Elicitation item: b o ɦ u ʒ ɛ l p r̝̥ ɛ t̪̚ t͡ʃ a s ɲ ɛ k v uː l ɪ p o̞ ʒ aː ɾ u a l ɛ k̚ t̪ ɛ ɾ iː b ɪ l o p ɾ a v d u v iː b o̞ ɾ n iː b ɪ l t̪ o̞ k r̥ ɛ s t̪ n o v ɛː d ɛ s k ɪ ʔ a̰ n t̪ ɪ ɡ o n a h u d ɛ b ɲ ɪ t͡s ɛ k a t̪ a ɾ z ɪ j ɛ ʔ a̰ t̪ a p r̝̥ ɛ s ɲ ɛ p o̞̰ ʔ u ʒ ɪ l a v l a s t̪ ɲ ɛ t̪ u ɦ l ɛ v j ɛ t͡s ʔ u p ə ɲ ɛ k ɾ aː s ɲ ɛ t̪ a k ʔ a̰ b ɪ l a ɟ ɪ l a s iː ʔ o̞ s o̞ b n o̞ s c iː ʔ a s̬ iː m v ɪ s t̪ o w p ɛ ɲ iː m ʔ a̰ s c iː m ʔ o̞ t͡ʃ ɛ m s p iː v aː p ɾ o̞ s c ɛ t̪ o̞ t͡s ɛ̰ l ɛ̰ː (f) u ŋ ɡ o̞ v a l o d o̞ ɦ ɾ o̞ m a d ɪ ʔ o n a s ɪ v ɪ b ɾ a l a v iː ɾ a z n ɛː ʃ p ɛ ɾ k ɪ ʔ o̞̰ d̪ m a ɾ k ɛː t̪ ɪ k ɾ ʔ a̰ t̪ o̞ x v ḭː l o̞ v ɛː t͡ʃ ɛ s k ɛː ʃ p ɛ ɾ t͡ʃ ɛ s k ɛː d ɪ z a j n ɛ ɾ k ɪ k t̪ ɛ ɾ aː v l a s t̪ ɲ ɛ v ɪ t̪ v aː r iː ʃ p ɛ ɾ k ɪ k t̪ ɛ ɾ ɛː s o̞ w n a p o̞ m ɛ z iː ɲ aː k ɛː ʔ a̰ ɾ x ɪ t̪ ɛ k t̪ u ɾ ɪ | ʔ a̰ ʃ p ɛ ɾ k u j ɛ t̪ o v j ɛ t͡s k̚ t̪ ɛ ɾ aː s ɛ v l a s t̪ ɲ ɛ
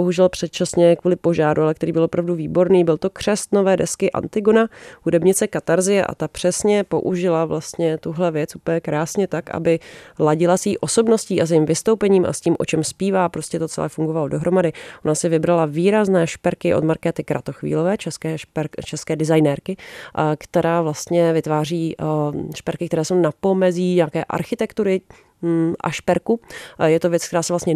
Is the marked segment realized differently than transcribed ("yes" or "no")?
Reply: no